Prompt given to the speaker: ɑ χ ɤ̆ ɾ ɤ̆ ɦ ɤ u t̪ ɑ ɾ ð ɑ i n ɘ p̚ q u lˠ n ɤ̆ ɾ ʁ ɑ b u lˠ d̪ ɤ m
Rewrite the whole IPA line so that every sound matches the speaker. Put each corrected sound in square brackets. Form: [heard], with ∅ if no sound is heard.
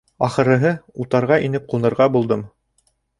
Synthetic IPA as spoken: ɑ χ ɤ̆ ɾ ɤ̆ ɦ ɤ u t̪ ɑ ɾ [ʁ] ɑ i n ɘ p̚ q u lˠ n ɤ̆ ɾ ʁ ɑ b u lˠ d̪ ɤ m

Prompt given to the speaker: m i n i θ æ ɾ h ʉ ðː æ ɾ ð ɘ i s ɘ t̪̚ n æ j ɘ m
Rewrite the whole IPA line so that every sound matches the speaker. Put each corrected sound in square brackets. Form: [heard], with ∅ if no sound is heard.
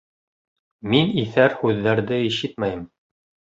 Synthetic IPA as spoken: m i n i θ æ ɾ h ʉ ðː æ ɾ ð ɘ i [ʃ] ɘ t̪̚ [m] æ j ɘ m

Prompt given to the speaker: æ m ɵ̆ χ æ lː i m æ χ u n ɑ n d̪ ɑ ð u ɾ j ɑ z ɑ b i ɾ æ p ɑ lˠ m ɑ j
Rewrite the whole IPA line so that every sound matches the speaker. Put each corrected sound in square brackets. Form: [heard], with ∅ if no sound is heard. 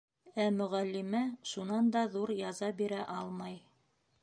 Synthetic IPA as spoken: æ m ɵ̆ [ʁ] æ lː i m æ [ʃ] u n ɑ n d̪ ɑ ð u ɾ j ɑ z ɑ b i ɾ æ [ʔ] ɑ lˠ m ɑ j

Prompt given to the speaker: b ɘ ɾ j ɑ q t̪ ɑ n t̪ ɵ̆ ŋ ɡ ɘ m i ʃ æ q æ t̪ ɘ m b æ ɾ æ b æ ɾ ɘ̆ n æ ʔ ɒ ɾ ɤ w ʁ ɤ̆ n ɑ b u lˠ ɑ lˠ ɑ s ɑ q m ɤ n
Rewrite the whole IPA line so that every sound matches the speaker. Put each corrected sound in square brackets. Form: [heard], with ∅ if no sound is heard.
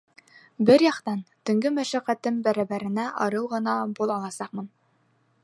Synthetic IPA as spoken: b ɘ ɾ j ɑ q t̪ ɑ n t̪ ɵ̆ ŋ ɡ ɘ m [æ] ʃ æ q æ t̪ ɘ m b æ ɾ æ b æ ɾ ɘ̆ n æ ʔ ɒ ɾ ɤ w ʁ ɤ̆ n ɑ b u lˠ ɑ lˠ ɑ s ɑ q m ɤ n

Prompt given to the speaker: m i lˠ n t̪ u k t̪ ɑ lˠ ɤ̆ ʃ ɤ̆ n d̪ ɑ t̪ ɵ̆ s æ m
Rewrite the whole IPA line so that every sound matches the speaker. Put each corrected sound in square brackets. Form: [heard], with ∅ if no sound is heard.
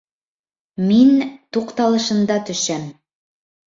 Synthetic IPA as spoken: m i [∅] n t̪ u [q] t̪ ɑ lˠ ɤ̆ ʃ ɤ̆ n d̪ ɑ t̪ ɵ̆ [ʃ] æ m

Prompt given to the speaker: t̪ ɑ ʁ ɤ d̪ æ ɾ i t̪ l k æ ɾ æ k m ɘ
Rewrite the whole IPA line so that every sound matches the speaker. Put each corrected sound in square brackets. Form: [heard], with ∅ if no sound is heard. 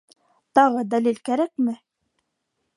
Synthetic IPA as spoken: t̪ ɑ ʁ ɤ d̪ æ [l] i [∅] l k æ ɾ æ k m ɘ

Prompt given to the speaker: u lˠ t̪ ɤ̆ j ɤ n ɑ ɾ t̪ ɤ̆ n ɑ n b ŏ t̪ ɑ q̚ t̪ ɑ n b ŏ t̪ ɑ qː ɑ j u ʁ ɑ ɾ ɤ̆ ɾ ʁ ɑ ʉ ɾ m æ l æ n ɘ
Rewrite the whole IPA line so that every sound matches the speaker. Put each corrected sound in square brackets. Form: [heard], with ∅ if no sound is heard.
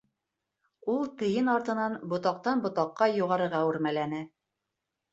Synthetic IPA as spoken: u lˠ t̪ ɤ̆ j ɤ n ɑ ɾ t̪ ɤ̆ n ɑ n b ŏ t̪ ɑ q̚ t̪ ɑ n b ŏ t̪ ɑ qː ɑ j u ʁ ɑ ɾ ɤ̆ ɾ ʁ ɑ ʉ ɾ m æ l æ n ɘ

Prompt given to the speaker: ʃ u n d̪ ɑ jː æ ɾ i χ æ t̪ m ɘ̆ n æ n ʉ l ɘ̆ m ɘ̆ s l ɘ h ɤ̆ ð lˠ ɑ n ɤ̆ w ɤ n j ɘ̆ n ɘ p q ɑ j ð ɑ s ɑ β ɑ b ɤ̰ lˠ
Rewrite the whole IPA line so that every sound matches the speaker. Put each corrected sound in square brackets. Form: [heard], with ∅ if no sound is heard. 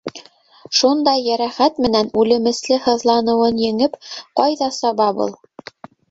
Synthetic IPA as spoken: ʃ u n d̪ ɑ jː æ ɾ [æ] χ æ t̪ m ɘ̆ n æ n ʉ l ɘ̆ m ɘ̆ s l ɘ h ɤ̆ ð lˠ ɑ n ɤ̆ w ɤ n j ɘ̆ [ŋ] ɘ p q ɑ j ð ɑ s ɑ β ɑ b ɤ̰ lˠ

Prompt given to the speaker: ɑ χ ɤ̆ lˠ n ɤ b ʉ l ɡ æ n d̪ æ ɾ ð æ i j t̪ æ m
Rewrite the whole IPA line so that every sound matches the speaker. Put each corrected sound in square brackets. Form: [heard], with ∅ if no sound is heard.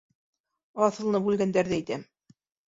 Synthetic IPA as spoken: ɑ [θ] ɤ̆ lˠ n ɤ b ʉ l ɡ æ n d̪ æ ɾ ð æ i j t̪ æ m

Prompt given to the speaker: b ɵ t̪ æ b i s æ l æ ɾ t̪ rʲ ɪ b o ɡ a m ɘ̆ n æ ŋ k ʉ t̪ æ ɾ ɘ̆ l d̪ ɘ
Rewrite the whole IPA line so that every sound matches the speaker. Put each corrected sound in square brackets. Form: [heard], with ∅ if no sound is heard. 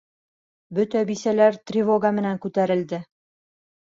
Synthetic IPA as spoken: b ɵ t̪ æ b i s æ l æ ɾ t̪ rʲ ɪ [v] o ɡ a m ɘ̆ n æ ŋ k ʉ t̪ æ ɾ ɘ̆ l d̪ ɘ

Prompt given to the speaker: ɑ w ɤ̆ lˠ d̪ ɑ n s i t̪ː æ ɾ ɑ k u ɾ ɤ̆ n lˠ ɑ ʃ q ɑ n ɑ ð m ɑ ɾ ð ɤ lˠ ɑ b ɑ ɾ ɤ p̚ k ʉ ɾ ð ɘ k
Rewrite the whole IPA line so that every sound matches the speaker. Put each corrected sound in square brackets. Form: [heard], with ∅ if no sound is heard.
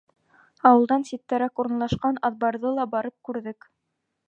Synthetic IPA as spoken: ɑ w ɤ̆ lˠ d̪ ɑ n s i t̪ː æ ɾ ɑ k u ɾ ɤ̆ n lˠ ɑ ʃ q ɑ n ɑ ð [b] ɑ ɾ ð ɤ lˠ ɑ b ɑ ɾ ɤ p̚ k ʉ ɾ ð ɘ k

